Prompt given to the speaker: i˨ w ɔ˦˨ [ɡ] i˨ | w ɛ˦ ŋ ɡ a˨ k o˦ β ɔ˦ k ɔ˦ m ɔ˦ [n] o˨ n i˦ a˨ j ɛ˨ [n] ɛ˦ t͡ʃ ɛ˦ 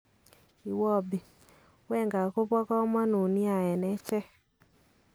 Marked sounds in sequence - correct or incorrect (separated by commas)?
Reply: incorrect, correct, correct